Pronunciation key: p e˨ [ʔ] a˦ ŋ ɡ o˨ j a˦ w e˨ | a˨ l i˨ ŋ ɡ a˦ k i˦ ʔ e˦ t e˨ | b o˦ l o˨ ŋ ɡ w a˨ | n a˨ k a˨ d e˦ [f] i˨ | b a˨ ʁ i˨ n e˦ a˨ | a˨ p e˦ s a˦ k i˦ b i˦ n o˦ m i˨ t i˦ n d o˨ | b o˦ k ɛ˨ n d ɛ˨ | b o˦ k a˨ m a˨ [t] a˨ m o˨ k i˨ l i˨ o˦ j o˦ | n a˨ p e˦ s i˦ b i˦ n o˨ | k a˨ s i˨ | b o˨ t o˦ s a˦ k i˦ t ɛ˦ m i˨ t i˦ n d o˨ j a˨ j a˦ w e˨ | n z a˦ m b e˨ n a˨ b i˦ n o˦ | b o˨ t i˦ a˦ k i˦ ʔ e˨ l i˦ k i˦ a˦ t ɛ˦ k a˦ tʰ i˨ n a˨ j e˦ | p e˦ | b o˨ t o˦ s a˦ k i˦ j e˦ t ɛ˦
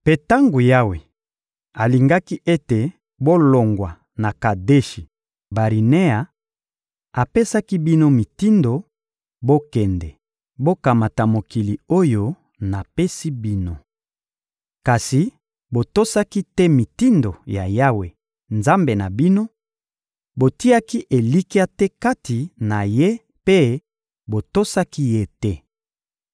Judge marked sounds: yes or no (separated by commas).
no, no, yes